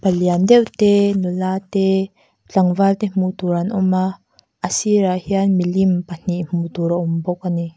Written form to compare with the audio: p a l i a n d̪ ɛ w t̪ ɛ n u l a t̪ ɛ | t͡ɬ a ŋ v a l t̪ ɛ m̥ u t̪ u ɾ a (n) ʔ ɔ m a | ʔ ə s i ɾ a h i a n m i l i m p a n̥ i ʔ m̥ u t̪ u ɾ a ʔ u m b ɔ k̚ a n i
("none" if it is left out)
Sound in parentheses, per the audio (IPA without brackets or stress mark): n